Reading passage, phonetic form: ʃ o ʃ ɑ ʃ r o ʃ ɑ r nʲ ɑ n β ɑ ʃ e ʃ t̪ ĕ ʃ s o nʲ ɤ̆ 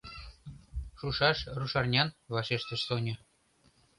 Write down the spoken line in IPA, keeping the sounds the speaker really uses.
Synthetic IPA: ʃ u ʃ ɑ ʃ r u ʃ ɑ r nʲ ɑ n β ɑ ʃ e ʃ t̪ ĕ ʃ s o nʲ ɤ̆